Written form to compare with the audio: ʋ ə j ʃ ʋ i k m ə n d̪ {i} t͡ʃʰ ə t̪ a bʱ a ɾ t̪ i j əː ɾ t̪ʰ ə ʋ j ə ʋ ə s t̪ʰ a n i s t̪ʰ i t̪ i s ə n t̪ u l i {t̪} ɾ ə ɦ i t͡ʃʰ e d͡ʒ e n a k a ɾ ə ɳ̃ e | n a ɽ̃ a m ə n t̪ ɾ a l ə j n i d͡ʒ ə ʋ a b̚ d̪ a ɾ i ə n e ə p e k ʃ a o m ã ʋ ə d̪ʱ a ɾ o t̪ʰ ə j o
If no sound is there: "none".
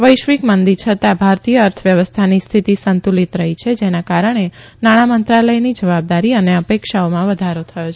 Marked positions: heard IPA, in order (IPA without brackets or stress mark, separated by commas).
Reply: i, t̪